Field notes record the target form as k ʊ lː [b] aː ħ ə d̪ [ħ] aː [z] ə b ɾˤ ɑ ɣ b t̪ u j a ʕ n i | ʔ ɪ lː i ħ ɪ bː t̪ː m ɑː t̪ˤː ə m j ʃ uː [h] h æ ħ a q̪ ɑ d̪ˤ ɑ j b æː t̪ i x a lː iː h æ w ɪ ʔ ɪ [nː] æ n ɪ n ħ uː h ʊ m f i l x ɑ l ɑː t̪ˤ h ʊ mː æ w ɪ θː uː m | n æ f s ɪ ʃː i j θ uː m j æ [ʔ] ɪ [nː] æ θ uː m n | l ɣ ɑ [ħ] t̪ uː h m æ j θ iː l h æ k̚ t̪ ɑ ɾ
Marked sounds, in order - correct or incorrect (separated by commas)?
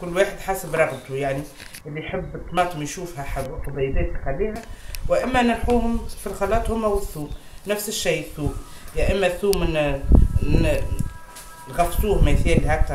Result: incorrect, correct, incorrect, incorrect, incorrect, correct, incorrect, incorrect